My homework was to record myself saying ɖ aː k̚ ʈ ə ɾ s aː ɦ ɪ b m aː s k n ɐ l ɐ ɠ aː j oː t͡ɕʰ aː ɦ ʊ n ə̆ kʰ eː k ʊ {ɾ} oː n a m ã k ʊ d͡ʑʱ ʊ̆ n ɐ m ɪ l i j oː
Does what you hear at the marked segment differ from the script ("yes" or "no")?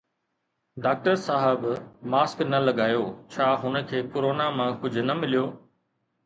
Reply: no